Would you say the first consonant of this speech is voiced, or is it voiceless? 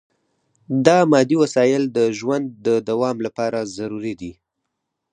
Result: voiced